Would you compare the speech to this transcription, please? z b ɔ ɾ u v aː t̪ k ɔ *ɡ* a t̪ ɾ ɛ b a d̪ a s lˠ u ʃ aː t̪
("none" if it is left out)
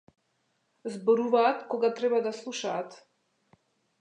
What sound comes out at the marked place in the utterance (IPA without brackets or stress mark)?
ɡ